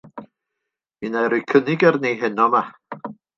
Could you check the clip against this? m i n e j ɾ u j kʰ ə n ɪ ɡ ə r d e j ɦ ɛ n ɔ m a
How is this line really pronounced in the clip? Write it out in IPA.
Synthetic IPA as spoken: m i n a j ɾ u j kʰ ə n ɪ ɡ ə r n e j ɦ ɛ n ɔ m a